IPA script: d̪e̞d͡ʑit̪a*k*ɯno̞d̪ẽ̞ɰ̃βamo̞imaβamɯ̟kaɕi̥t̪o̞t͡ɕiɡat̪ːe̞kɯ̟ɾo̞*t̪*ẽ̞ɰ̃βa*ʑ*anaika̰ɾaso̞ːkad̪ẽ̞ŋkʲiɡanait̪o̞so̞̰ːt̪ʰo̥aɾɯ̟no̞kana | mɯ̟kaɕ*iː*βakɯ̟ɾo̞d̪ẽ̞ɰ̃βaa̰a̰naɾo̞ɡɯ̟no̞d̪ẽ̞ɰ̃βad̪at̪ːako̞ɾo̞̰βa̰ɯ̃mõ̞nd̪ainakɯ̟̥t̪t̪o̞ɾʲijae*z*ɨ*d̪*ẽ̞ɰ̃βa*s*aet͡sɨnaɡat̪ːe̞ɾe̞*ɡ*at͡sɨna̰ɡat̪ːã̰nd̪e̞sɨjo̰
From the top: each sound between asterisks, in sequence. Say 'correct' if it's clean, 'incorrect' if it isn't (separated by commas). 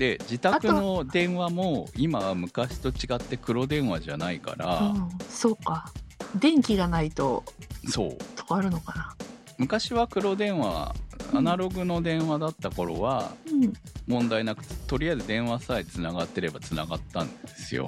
correct, incorrect, correct, incorrect, correct, correct, correct, incorrect